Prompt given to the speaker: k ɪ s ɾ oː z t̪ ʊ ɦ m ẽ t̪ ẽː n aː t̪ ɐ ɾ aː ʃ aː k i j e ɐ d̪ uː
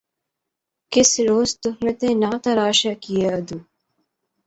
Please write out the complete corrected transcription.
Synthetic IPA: k ɪ s ɾ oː z t̪ ʊ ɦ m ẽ t̪ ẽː n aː t̪ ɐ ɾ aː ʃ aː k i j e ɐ d̪ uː